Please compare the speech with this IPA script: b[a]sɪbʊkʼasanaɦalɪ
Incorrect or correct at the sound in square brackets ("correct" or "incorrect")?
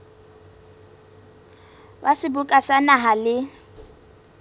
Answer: correct